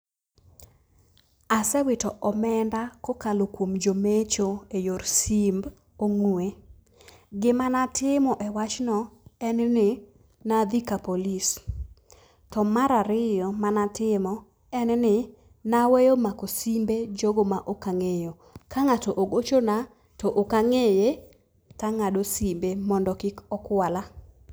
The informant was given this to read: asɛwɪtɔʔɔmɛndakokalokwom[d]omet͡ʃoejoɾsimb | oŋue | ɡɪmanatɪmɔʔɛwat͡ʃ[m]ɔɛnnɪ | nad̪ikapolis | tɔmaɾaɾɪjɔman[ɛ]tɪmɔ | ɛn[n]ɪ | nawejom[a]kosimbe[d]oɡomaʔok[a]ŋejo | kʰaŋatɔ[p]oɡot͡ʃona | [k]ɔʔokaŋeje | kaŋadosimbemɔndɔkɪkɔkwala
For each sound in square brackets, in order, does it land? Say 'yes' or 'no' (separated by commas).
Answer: no, no, no, yes, yes, no, yes, no, no